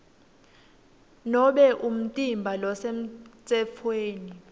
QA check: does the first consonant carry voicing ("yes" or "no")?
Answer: yes